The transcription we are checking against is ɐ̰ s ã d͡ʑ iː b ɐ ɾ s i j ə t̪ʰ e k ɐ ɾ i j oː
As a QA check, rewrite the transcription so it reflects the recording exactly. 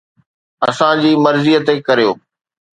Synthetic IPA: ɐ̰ s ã d͡ʑ iː m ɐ ɾ z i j ə t̪ e k ɐ ɾ i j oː